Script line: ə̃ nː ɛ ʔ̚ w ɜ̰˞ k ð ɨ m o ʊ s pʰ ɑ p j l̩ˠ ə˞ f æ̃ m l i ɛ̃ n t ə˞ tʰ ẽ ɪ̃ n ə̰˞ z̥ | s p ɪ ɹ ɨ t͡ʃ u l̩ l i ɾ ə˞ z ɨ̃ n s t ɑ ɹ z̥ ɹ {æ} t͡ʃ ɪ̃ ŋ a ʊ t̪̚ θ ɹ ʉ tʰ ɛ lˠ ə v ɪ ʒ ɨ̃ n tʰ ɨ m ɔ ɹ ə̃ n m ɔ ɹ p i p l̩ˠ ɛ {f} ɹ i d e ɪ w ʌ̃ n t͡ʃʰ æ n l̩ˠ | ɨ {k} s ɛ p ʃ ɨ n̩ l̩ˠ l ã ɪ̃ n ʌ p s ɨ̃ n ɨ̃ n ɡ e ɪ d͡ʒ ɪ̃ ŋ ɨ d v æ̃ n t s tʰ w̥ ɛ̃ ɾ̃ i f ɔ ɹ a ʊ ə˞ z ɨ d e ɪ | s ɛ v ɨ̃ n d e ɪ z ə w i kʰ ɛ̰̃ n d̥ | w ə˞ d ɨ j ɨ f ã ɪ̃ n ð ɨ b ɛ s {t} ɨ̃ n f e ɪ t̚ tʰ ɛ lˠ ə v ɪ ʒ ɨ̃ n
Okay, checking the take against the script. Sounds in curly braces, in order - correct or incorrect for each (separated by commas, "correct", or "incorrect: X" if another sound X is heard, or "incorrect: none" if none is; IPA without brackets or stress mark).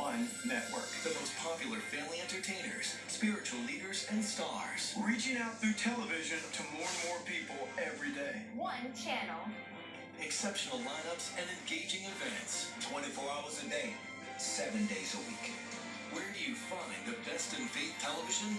incorrect: i, incorrect: v, correct, correct